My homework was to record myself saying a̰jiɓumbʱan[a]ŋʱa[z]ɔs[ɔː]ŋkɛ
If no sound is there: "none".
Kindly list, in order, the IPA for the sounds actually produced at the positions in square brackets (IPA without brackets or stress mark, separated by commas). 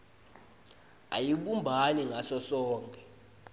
i, s, ɔː